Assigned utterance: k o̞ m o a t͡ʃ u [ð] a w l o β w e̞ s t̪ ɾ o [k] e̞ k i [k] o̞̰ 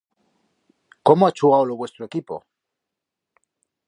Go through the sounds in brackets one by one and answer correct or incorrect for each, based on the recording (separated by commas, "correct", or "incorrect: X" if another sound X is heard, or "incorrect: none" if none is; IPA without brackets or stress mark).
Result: incorrect: ɣ, incorrect: none, incorrect: p